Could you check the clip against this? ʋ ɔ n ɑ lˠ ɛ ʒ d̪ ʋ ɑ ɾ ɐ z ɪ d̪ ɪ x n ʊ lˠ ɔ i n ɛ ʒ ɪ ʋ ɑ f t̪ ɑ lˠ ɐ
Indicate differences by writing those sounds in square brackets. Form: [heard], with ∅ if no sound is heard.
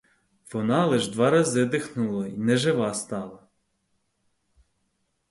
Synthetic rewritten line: ʋ ɔ n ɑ lˠ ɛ ʒ d̪ ʋ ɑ ɾ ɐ z ɪ d̪ ɪ x n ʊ lˠ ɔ i n ɛ ʒ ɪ ʋ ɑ [s] t̪ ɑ lˠ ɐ

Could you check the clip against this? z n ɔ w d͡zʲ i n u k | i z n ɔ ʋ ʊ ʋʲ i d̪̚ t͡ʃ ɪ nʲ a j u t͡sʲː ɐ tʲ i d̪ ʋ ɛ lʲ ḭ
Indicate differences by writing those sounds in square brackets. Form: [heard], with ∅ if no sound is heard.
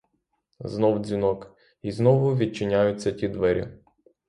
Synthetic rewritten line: z n ɔ w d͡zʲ i n [ɔ] k | i z n ɔ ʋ ʊ ʋʲ i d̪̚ t͡ʃ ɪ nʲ a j [ʊ] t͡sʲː ɐ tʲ i d̪ ʋ ɛ [ɾʲ] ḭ

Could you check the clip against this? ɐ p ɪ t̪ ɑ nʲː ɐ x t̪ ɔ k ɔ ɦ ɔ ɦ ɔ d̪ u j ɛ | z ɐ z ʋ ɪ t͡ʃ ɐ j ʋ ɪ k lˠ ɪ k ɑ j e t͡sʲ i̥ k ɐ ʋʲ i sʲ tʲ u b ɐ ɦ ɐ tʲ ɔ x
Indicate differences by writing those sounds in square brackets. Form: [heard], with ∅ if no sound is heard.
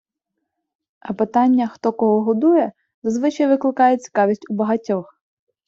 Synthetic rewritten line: ɐ p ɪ t̪ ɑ nʲː ɐ x t̪ ɔ k ɔ ɦ ɔ ɦ ɔ d̪ u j ɛ | z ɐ z ʋ ɪ t͡ʃ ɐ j ʋ ɪ k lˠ ɪ k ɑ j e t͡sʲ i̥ k [ɑ] ʋʲ i sʲ tʲ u b ɐ ɦ ɐ tʲ ɔ x

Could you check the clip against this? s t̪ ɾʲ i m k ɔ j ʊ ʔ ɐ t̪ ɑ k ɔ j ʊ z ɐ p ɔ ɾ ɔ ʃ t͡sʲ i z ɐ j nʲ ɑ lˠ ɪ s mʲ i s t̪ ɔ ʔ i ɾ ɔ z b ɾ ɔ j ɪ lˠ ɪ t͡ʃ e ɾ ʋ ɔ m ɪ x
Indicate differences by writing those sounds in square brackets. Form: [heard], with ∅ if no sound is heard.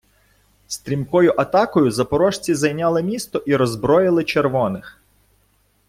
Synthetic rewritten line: s t̪ ɾʲ i m k ɔ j ʊ ʔ ɐ t̪ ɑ k ɔ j ʊ z ɐ p ɔ ɾ ɔ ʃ t͡sʲ i z ɐ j nʲ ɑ lˠ ɪ [∅] mʲ i s t̪ ɔ ʔ i ɾ ɔ z b ɾ ɔ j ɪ lˠ ɪ t͡ʃ e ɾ ʋ ɔ [n] ɪ x

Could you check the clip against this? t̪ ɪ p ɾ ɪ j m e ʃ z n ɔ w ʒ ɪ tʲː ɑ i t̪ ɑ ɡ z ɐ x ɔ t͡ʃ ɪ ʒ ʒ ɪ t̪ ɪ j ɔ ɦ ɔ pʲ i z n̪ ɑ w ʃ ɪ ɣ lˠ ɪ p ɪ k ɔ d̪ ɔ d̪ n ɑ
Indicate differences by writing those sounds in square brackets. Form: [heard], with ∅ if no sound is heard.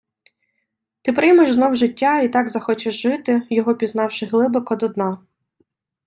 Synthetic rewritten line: t̪ ɪ p ɾ ɪ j m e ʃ z n ɔ w ʒ ɪ tʲː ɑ i t̪ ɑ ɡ z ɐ x ɔ t͡ʃ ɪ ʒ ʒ ɪ t̪ ɪ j ɔ ɦ ɔ pʲ i z n̪ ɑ w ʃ ɪ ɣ lˠ ɪ [b] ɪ k ɔ d̪ ɔ d̪ n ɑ

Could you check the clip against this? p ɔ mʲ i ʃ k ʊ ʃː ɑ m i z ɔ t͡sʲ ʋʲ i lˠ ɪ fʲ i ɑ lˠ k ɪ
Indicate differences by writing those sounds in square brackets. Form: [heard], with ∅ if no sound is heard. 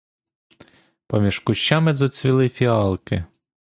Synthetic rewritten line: p ɔ mʲ i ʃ k ʊ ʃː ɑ m [ɪ] z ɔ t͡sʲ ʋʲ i lˠ ɪ fʲ i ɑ lˠ k ɪ

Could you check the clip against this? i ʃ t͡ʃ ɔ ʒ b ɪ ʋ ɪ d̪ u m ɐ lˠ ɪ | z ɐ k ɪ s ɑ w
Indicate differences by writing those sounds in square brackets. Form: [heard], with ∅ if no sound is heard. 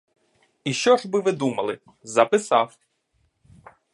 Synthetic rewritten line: i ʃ t͡ʃ ɔ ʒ b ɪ ʋ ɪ d̪ u m ɐ lˠ ɪ | z ɐ [p] ɪ s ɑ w

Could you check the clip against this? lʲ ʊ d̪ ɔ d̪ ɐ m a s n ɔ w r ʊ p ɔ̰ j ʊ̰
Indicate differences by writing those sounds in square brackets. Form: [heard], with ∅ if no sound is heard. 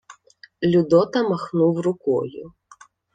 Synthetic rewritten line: lʲ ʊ d̪ ɔ [t̪] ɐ m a [x] n [u] w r ʊ [k] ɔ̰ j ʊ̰

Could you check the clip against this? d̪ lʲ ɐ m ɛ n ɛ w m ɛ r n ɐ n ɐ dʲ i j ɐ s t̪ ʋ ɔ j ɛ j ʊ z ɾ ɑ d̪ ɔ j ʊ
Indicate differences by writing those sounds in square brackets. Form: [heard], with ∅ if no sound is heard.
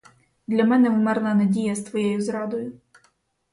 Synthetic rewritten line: d̪ lʲ ɐ m ɛ n ɛ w m ɛ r n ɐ n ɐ dʲ i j ɐ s t̪ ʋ ɔ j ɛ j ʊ z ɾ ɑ d̪ ɔ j ʊ

